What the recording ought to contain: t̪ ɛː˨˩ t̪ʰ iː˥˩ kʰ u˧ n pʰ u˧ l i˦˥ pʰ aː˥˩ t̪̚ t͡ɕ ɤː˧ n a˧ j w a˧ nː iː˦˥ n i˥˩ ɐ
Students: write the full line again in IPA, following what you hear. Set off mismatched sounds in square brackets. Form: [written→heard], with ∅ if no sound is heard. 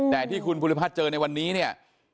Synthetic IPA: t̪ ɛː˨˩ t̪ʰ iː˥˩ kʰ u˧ n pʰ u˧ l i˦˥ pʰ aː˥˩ t̪̚ t͡ɕ ɤː˧ n a˧ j w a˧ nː iː˦˥ n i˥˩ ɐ

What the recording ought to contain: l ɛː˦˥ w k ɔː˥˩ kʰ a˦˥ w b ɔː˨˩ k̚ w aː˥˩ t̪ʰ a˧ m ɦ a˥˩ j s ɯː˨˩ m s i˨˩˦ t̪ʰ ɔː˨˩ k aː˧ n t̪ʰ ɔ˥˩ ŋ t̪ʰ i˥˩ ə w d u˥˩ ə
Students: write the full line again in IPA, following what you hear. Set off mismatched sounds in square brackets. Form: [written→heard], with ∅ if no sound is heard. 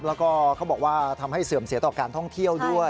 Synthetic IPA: l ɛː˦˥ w k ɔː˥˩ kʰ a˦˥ w b ɔː˨˩ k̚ w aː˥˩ t̪ʰ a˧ m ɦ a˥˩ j s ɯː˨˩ m s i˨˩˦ [t̪ʰ→t̪] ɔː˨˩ k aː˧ n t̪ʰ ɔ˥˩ ŋ t̪ʰ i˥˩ ə w d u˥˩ ə

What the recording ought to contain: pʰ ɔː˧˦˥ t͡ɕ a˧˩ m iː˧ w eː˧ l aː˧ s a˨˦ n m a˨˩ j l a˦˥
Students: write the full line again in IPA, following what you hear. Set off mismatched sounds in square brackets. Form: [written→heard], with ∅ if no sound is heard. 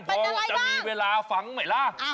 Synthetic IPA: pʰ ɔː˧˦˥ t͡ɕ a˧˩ m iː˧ w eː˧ l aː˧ [s→f] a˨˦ [n→ŋ] m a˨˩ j l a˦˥

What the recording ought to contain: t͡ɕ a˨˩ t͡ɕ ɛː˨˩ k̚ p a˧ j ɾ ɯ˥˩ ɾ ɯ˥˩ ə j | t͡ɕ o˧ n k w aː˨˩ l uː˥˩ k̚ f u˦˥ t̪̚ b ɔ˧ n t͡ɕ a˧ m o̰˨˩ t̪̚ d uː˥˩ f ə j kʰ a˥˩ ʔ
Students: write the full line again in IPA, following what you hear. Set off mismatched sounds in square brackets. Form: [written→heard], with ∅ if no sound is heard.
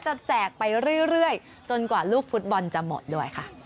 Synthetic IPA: t͡ɕ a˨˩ t͡ɕ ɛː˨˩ k̚ p a˧ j ɾ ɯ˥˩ ɾ ɯ˥˩ ə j | t͡ɕ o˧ n k w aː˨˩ l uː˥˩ k̚ f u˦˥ t̪̚ b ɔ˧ n t͡ɕ [a˧→a˨˩] m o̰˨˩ t̪̚ d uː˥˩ [f→∅] ə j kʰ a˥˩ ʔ

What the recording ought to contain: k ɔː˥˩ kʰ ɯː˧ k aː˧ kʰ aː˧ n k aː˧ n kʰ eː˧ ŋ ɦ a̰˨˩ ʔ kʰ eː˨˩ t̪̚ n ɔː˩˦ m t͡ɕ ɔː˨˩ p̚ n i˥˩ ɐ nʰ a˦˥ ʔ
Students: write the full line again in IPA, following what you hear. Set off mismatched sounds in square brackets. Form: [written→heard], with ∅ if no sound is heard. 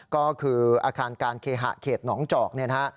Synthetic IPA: k ɔː˥˩ kʰ ɯː˧ [k→ʔ] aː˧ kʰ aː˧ n k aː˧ n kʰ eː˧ [ŋ→∅] ɦ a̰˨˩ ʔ kʰ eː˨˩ t̪̚ n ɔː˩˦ [m→ŋ] t͡ɕ ɔː˨˩ [p̚→k̚] n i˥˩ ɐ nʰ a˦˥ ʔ

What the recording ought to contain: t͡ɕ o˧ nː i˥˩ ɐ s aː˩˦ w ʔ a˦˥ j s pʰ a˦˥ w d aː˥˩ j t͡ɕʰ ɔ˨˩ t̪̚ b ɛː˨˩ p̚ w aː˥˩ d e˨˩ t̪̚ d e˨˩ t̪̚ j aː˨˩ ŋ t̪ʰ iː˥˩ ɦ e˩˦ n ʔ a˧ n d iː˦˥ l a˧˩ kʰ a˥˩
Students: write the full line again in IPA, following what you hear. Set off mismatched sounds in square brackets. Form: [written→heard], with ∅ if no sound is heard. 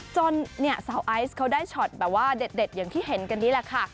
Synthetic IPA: t͡ɕ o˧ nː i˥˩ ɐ s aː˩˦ w ʔ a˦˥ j s [pʰ→kʰ] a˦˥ w d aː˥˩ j t͡ɕʰ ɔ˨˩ t̪̚ b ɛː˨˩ p̚ w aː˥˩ d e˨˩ t̪̚ d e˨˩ t̪̚ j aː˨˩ ŋ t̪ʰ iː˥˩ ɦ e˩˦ n [ʔ→k] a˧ n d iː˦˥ l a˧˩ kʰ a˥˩

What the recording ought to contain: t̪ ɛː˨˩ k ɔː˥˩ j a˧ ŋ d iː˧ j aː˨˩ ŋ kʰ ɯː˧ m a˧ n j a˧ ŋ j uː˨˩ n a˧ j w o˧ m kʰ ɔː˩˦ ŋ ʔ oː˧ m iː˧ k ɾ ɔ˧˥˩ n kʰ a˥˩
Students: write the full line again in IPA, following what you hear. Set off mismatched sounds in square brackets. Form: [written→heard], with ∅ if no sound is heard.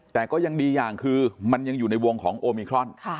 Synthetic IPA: t̪ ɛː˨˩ k ɔː˥˩ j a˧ ŋ d iː˧ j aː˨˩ ŋ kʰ ɯː˧ m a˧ n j a˧ ŋ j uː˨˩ n a˧ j w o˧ [m→ŋ] kʰ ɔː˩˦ ŋ ʔ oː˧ m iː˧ [k→kʰ] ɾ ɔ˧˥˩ n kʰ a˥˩

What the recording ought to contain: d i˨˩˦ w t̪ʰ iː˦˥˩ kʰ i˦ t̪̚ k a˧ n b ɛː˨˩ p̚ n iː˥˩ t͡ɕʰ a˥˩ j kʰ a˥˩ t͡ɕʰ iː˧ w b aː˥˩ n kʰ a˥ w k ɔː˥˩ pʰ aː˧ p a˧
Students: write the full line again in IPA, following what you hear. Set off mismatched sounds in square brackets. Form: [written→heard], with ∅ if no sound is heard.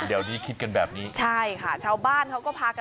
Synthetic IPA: d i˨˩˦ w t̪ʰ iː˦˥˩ kʰ i˦ t̪̚ k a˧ n b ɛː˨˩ p̚ n [iː˥˩→iː˦˥] t͡ɕʰ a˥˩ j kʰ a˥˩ t͡ɕʰ [iː˧→aː˧] w b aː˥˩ n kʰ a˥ w k ɔː˥˩ pʰ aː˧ [p→k] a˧

